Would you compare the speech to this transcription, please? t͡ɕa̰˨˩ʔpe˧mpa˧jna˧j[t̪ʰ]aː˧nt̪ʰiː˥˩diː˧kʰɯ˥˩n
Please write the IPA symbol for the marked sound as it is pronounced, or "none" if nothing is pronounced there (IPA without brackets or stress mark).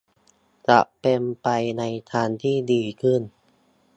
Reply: t̪ʰ